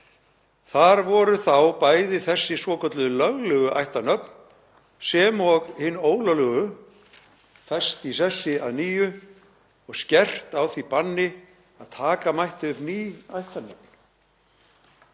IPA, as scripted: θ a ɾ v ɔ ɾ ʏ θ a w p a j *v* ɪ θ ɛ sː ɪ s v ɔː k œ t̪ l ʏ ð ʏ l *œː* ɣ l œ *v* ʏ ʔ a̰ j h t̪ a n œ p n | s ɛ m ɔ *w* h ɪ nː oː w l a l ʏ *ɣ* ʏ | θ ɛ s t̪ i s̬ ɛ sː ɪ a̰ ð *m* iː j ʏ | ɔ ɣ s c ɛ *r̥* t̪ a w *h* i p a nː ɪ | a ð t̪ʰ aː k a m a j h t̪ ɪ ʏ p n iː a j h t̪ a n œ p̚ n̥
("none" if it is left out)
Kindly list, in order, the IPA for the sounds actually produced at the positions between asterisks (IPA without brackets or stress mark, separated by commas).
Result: ð, œ, ɣ, ɣ, ɣ, n, r̥, θ